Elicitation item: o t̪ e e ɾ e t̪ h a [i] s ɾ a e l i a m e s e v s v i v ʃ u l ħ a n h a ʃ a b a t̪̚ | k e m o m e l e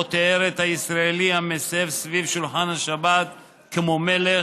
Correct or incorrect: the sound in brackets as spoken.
correct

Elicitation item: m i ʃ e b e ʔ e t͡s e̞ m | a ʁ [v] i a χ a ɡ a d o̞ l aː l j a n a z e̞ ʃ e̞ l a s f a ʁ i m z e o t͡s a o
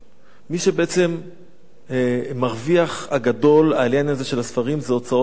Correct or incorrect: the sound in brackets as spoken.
correct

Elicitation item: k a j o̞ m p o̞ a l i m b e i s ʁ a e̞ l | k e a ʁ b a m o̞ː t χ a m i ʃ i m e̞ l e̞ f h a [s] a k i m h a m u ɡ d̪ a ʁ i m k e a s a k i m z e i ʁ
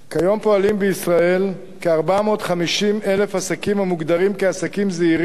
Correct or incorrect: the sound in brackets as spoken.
correct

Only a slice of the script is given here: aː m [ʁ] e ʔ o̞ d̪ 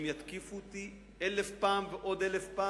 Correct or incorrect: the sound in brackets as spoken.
incorrect: v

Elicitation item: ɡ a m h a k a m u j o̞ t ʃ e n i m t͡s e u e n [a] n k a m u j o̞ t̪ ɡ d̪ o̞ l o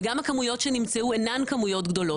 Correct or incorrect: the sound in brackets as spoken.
correct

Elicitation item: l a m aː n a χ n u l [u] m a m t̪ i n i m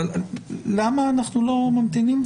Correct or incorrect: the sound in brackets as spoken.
incorrect: o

